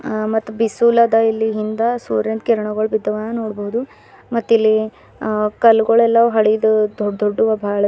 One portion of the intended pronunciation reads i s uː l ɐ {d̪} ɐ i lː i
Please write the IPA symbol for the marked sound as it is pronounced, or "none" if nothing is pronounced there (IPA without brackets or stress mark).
d̪